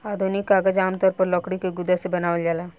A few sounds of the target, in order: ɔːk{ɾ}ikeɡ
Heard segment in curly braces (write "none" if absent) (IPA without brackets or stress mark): ɽ